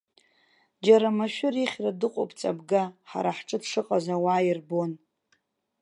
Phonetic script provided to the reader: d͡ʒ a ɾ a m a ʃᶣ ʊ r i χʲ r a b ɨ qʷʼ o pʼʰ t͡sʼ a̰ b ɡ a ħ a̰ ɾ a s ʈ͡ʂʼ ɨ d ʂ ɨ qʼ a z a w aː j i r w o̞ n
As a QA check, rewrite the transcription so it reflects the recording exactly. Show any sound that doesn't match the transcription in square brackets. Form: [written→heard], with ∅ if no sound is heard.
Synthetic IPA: d͡ʒ a ɾ a m a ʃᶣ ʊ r i χʲ r a [b→d] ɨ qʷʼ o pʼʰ t͡sʼ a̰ b ɡ a ħ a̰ ɾ a [s→ħ] ʈ͡ʂʼ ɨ d ʂ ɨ qʼ a z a w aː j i r [w→b] o̞ n